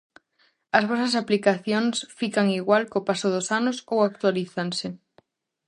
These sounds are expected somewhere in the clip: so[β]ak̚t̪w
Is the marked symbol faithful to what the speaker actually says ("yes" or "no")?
no